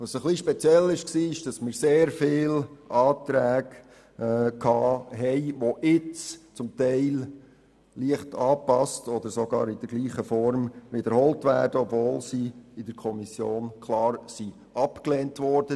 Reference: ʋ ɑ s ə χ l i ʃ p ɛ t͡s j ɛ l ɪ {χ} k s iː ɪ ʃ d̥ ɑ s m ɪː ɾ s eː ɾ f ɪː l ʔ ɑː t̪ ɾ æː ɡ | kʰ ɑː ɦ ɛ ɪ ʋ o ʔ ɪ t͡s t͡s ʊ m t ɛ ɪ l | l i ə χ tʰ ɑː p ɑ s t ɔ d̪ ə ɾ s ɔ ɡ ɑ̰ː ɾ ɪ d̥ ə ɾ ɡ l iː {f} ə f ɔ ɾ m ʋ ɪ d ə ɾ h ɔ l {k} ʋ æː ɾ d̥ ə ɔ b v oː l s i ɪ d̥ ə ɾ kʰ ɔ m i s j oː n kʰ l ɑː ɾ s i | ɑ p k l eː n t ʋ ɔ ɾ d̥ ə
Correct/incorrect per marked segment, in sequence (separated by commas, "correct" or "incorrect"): incorrect, incorrect, incorrect